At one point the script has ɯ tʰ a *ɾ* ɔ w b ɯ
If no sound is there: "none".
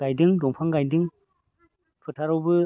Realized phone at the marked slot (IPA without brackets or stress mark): ɾ